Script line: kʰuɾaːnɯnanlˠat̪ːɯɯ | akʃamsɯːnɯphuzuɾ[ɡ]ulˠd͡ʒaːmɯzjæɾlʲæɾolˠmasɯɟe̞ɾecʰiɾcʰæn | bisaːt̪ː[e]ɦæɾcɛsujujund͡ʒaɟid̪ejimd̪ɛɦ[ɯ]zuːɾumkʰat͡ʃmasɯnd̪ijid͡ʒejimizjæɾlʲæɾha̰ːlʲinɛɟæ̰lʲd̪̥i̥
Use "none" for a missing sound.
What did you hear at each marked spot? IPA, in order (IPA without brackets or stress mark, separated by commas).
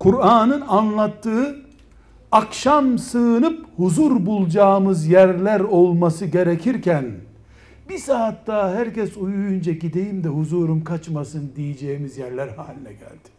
b, a, u